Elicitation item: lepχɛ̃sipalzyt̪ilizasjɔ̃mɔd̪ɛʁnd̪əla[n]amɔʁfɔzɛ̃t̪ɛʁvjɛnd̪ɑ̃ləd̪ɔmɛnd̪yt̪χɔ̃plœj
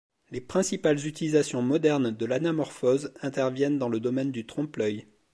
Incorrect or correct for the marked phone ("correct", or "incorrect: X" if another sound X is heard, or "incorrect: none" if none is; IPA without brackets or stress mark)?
correct